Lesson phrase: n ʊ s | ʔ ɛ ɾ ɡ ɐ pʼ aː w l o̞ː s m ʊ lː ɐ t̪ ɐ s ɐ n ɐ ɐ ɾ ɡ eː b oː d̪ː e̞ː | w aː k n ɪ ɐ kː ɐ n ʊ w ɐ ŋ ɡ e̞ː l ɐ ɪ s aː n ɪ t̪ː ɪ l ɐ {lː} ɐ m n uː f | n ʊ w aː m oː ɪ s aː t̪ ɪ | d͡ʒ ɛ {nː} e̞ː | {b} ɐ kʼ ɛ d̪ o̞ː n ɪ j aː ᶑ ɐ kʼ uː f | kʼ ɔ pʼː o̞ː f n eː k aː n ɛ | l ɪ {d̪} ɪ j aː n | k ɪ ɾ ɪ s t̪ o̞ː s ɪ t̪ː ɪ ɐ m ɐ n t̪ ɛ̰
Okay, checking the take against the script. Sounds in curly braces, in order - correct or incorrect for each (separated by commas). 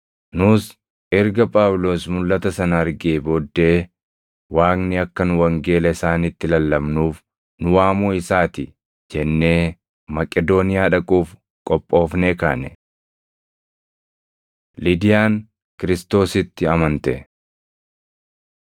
correct, correct, incorrect, correct